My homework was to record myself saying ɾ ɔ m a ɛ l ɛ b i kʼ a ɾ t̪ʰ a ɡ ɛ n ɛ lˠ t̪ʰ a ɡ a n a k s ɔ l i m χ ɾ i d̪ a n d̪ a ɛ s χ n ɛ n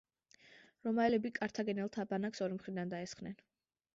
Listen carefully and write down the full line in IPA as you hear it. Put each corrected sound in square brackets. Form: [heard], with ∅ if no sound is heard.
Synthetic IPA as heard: ɾ ɔ m a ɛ l ɛ b i kʼ a ɾ t̪ʰ a ɡ ɛ n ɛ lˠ t̪ʰ a [b] a n a k s ɔ [ɾ] i m χ ɾ i d̪ a n d̪ a ɛ s χ n ɛ n